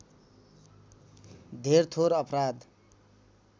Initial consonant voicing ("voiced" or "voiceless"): voiced